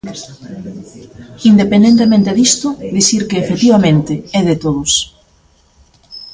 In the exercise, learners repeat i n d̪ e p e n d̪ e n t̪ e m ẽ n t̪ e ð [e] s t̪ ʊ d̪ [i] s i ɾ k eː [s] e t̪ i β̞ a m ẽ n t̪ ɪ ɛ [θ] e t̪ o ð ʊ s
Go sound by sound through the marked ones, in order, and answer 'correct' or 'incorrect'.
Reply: incorrect: i, correct, incorrect: f, incorrect: ð

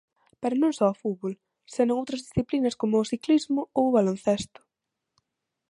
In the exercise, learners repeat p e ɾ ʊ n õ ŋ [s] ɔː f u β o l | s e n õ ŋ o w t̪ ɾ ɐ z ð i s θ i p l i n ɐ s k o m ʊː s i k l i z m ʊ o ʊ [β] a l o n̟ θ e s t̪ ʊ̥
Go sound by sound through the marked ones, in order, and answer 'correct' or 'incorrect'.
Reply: correct, correct

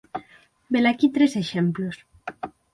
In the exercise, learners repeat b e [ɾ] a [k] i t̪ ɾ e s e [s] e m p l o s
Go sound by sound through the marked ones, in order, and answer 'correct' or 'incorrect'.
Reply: incorrect: l, correct, incorrect: ʃ

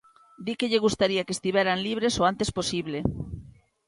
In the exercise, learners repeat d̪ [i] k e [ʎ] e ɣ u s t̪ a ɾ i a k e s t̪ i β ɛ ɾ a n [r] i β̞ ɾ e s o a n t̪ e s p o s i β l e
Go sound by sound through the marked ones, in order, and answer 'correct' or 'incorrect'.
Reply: correct, correct, incorrect: l

